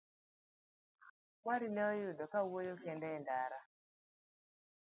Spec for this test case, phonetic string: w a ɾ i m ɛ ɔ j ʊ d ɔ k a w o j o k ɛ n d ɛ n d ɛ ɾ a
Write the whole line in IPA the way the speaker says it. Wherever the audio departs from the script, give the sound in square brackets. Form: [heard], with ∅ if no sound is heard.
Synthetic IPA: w a ɾ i [n] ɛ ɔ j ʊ d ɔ k a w o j o k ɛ n d ɛ n d [a] ɾ a